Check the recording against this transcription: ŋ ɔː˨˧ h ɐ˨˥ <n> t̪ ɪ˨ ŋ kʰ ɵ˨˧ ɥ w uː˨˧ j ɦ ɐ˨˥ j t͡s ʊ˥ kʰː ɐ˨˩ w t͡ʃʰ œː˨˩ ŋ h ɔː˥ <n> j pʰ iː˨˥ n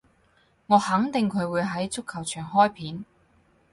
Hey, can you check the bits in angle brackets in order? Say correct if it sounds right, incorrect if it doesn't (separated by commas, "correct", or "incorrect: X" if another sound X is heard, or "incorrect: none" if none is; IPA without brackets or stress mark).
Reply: incorrect: ŋ, incorrect: none